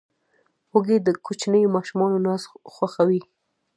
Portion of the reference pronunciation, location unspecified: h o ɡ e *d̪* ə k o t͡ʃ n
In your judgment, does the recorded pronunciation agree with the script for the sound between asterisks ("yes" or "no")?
yes